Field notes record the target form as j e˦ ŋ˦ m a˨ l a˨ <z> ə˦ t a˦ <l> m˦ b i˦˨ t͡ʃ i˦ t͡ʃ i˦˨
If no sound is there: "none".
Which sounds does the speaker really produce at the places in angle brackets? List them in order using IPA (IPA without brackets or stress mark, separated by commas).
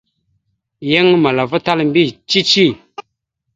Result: v, l